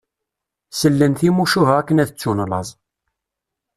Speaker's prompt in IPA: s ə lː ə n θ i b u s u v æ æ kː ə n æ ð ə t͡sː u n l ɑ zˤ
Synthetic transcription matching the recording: s ə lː ə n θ i m u ʃ u v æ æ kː ə n æ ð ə t͡sː u n l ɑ zˤ